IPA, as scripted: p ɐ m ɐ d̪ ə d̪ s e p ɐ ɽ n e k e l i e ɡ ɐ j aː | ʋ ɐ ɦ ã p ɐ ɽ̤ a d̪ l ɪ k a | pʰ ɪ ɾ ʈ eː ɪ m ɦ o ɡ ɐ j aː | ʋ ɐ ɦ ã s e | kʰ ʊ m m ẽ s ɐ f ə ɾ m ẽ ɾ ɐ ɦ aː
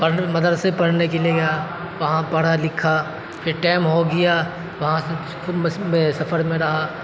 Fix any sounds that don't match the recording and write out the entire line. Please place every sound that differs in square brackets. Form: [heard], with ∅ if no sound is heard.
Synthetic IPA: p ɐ m ɐ d̪ ə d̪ s e p ɐ ɽ n e k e l i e ɡ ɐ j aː | ʋ ɐ ɦ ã p ɐ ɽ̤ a [∅] l ɪ [kʰ] a | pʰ ɪ ɾ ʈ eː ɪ m ɦ o ɡ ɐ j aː | ʋ ɐ ɦ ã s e | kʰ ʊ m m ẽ s ɐ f ə ɾ m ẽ ɾ ɐ ɦ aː